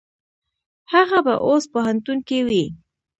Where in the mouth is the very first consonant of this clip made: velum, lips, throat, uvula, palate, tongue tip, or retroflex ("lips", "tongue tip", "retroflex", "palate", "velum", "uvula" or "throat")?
throat